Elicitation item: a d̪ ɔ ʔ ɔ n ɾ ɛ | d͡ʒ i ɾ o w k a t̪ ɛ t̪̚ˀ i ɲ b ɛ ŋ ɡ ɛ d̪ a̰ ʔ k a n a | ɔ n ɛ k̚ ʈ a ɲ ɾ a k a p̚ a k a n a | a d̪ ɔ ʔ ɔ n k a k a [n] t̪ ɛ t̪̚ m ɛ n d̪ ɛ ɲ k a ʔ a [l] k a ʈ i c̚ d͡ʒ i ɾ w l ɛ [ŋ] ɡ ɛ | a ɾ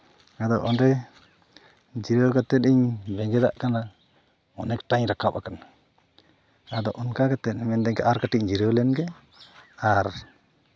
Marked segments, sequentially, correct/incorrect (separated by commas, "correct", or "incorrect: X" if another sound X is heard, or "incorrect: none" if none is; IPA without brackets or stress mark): incorrect: none, incorrect: ɾ, incorrect: n